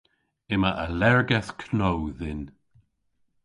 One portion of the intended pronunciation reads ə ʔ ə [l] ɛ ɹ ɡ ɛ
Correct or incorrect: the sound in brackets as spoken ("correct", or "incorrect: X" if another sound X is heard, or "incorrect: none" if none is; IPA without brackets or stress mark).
correct